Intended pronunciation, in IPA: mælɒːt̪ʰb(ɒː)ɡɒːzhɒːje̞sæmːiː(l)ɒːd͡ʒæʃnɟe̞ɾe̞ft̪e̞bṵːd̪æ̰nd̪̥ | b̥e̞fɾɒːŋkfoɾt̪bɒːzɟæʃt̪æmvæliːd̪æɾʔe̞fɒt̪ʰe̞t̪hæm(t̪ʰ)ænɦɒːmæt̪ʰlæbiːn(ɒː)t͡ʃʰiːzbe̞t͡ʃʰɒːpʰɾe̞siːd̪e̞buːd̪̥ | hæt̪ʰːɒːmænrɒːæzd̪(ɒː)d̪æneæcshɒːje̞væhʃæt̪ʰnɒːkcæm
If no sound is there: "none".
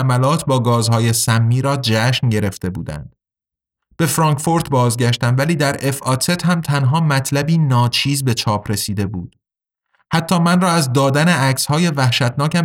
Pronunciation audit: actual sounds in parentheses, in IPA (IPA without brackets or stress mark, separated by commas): ɒː, ɾ, t̪ʰ, ɒː, ɒː